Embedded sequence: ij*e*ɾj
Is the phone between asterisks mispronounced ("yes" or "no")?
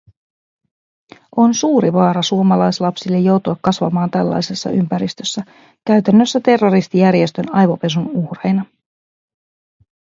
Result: yes